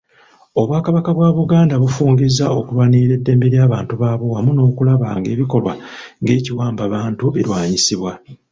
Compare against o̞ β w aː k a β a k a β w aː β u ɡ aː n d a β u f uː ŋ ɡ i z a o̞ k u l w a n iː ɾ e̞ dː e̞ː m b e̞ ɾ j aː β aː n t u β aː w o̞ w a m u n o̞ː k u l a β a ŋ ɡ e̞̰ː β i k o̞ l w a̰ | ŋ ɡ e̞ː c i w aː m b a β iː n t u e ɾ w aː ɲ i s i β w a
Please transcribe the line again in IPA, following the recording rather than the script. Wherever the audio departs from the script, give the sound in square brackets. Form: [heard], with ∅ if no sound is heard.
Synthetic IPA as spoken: o̞ β w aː k a β a k a β w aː β u ɡ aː n d a β u f uː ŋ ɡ i z a o̞ k u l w a n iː ɾ e̞ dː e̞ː m b e̞ ɾ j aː β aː n t u β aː [β] o̞ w a m u n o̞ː k u l a β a ŋ ɡ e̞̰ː β i k o̞ l w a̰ | ŋ ɡ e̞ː c i w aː m b a β [aː] n t u e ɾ w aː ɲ i s i β w a